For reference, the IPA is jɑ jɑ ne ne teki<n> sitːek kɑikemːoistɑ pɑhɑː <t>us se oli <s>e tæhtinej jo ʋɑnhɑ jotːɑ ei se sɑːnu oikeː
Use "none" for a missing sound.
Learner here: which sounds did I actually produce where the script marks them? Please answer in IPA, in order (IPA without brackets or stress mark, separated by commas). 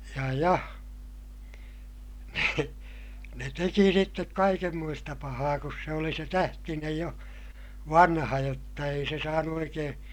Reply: none, k, s